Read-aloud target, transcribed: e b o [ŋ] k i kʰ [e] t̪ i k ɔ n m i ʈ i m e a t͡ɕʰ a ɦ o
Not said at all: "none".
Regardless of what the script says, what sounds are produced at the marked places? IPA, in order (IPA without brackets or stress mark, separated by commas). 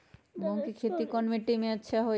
ŋ, e